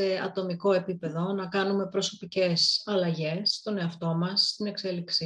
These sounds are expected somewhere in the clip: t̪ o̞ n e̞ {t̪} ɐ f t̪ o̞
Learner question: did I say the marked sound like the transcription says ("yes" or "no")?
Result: no